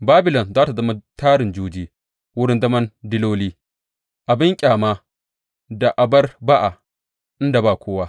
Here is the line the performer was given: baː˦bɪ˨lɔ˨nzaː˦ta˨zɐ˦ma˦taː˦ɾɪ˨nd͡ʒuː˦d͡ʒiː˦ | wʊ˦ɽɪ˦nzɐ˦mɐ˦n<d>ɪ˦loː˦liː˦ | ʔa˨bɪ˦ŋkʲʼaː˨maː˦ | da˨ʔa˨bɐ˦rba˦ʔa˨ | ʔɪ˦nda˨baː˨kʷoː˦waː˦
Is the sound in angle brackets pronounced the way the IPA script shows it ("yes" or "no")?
yes